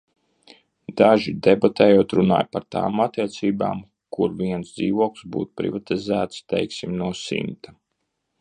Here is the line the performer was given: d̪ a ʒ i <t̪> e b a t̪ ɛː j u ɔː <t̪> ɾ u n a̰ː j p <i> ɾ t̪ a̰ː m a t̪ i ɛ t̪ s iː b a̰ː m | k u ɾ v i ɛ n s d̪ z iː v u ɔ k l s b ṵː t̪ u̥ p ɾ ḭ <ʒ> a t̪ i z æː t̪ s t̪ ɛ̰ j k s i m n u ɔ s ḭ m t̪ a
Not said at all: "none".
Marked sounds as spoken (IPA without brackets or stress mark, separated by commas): d̪, t̪, a, v